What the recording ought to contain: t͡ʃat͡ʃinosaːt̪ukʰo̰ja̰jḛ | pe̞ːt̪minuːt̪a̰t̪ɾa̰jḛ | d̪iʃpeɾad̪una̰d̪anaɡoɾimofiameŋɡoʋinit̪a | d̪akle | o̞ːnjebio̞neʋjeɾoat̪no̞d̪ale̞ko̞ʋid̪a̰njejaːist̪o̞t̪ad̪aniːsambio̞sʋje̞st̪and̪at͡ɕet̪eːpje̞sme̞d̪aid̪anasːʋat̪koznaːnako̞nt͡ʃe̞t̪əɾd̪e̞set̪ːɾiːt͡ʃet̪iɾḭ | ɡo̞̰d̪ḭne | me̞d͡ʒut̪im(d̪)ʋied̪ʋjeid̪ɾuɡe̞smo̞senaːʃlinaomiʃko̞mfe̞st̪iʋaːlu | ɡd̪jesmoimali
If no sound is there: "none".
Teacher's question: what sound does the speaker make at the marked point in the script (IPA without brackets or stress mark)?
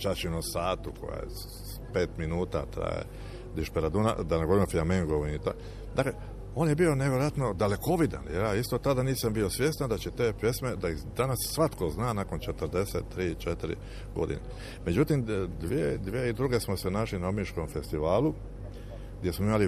d̪